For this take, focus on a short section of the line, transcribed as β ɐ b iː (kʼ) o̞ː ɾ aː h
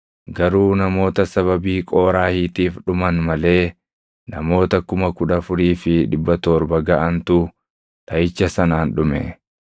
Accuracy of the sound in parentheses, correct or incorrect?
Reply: correct